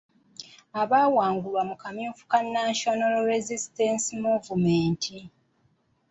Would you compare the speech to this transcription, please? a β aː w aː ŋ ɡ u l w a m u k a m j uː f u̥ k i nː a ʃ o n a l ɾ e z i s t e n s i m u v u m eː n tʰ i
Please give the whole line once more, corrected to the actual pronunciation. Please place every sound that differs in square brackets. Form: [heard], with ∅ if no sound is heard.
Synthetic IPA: a β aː w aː ŋ ɡ u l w a m u k a m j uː f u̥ k [a] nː a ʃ o n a l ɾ e z i s t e n s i m u v u m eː n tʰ i